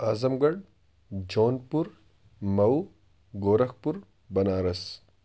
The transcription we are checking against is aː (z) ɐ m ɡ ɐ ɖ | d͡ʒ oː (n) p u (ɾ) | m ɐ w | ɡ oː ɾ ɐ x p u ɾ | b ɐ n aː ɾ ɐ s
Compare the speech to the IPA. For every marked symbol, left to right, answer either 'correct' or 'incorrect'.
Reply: correct, correct, correct

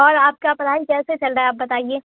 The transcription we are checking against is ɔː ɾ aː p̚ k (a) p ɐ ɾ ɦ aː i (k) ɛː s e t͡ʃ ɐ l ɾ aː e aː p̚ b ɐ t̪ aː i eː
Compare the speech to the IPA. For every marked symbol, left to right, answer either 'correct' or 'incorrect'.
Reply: correct, correct

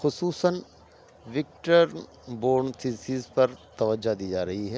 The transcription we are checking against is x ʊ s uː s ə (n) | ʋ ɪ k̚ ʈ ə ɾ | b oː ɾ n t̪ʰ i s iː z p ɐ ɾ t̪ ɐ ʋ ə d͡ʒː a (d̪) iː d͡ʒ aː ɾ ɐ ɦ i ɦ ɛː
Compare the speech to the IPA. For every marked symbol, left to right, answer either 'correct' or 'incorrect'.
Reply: correct, correct

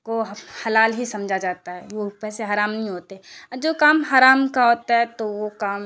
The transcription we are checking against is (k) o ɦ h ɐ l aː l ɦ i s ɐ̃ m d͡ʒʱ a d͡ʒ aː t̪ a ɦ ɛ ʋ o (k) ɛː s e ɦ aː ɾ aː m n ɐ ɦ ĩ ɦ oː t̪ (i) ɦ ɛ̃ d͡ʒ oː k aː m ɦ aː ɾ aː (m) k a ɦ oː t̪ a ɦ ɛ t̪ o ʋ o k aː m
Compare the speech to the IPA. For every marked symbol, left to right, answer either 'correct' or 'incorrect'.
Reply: correct, incorrect, incorrect, correct

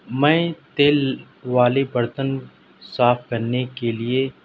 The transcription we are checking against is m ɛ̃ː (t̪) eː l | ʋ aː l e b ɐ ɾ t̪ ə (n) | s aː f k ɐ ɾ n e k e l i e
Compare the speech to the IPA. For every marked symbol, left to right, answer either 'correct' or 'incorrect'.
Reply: correct, correct

